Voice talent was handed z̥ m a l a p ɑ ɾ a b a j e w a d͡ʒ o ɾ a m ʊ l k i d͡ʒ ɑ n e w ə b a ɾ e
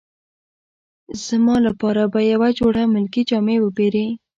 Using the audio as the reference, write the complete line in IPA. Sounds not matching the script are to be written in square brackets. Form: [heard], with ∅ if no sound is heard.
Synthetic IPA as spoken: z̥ m [ɑ] l a p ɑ ɾ a b a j [a] w a d͡ʒ o [ɽ] a m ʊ l k i d͡ʒ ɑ [m] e w ə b [e] ɾ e